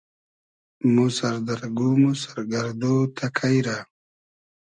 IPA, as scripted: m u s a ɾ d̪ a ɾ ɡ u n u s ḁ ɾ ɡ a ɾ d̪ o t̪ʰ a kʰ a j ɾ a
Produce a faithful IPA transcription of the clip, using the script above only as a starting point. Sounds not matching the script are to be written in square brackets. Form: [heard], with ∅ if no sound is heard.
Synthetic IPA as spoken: m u s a ɾ d̪ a ɾ ɡ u [m] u s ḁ ɾ ɡ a ɾ d̪ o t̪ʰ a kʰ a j ɾ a